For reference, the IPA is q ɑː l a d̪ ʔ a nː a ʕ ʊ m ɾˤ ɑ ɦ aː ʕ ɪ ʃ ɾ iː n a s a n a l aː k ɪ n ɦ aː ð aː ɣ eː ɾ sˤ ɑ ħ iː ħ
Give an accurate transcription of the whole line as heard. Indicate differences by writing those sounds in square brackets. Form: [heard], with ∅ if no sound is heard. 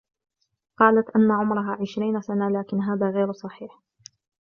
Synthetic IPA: q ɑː l a [t̪] ʔ a nː a ʕ ʊ m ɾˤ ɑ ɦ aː ʕ ɪ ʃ ɾ iː n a s a n a l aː k ɪ n ɦ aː ð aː ɣ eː ɾ sˤ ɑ ħ iː ħ